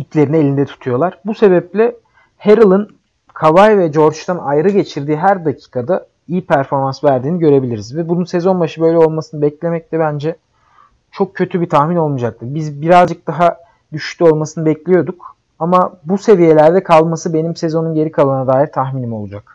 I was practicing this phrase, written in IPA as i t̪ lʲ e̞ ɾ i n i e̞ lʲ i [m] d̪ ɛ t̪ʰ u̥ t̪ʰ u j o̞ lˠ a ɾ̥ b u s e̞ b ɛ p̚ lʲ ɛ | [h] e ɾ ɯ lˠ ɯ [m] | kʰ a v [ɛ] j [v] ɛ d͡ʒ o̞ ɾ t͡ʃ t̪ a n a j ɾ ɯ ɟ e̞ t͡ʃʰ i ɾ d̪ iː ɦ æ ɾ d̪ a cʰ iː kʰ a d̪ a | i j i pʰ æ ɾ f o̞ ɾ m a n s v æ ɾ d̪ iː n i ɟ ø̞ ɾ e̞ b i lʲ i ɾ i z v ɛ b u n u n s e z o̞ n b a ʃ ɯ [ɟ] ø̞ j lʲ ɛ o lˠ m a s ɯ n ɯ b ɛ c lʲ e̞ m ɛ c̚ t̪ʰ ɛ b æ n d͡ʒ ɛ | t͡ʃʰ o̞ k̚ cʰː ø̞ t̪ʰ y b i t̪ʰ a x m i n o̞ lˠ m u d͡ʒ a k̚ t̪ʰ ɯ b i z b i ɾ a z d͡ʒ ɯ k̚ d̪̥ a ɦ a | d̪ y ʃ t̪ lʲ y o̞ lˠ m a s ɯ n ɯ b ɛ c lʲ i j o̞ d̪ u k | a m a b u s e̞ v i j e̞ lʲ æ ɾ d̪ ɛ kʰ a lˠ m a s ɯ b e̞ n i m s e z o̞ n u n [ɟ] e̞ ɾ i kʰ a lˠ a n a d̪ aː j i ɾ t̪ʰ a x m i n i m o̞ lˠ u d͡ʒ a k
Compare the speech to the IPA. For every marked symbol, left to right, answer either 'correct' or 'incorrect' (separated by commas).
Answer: incorrect, correct, incorrect, incorrect, correct, incorrect, correct